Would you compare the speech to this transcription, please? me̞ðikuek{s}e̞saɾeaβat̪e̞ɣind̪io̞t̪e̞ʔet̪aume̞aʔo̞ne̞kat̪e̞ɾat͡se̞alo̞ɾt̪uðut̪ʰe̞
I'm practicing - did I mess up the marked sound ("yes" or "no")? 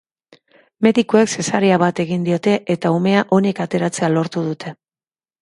no